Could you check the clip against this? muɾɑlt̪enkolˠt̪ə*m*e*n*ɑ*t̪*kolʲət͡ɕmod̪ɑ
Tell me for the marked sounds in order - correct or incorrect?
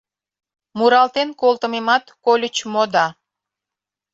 correct, incorrect, correct

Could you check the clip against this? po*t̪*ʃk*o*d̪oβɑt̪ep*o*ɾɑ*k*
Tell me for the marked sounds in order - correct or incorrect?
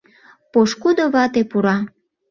incorrect, incorrect, incorrect, incorrect

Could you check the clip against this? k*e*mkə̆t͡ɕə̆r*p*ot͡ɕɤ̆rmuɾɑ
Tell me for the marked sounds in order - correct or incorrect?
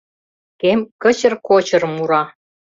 correct, incorrect

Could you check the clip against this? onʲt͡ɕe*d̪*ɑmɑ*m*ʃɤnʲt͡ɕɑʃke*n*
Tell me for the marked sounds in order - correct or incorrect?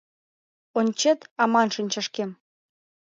incorrect, incorrect, incorrect

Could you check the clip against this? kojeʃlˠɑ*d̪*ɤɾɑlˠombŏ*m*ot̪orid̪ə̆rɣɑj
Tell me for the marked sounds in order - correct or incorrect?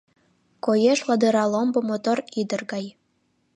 correct, correct

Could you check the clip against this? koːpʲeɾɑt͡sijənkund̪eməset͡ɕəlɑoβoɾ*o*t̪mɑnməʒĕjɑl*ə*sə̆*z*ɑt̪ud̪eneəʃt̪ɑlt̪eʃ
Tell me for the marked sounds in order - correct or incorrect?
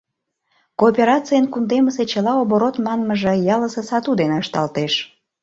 correct, correct, incorrect

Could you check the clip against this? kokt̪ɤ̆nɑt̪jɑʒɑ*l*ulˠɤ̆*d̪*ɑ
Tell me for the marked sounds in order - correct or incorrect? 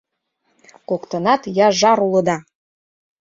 incorrect, correct

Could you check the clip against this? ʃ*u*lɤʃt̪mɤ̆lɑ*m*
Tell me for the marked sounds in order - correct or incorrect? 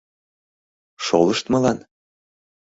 incorrect, incorrect

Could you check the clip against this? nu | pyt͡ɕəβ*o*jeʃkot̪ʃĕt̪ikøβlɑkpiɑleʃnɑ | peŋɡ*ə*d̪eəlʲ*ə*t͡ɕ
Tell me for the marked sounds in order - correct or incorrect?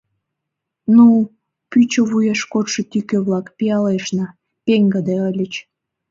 incorrect, correct, correct

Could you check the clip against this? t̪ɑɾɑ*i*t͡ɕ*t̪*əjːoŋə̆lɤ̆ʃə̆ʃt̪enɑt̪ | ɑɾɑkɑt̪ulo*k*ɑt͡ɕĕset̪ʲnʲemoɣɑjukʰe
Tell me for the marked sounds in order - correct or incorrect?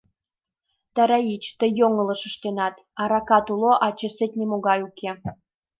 correct, correct, incorrect

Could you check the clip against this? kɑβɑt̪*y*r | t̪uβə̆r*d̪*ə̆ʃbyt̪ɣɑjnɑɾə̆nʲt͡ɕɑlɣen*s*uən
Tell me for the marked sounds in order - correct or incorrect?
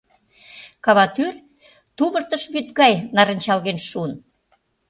correct, incorrect, incorrect

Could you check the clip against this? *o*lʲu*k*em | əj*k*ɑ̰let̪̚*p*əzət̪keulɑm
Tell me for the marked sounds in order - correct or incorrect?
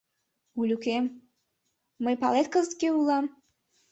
incorrect, correct, incorrect, incorrect

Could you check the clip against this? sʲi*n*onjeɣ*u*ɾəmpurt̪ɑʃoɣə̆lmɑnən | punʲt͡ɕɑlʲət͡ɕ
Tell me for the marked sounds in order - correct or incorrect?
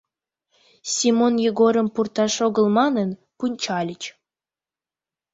incorrect, incorrect

